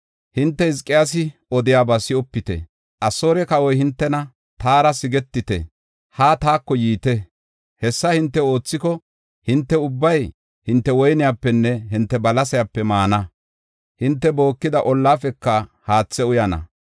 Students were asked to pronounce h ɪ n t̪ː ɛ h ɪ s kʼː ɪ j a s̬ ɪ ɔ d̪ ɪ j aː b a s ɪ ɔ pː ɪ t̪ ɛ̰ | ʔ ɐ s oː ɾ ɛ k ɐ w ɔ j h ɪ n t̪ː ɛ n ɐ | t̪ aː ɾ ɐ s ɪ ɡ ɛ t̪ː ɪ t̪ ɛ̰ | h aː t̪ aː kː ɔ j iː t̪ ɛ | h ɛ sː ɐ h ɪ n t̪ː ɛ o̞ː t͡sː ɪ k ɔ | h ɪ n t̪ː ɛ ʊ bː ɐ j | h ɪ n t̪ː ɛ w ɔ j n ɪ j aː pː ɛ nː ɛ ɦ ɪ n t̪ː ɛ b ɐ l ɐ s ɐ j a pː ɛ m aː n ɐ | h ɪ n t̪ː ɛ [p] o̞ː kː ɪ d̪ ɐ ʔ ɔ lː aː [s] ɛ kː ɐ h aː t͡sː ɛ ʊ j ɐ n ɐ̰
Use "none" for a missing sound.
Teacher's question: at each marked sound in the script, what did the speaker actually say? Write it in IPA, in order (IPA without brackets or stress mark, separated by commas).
b, f